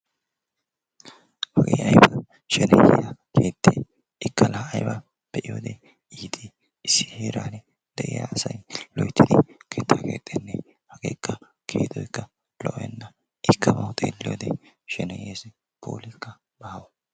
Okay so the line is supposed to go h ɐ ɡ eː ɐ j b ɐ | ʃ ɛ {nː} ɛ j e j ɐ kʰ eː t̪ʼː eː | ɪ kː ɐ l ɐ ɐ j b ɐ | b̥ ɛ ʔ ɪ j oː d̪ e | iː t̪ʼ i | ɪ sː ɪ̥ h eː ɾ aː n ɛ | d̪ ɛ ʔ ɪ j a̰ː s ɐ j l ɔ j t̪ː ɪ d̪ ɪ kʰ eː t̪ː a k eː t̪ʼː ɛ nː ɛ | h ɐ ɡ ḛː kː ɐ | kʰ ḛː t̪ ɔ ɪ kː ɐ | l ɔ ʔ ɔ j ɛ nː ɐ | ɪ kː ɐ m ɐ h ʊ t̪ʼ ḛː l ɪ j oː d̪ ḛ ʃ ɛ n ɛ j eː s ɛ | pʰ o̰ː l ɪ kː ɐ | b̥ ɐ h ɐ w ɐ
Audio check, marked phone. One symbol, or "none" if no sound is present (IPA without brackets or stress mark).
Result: n